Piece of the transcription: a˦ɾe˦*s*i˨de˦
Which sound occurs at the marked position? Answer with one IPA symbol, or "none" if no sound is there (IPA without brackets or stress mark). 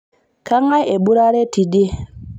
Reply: t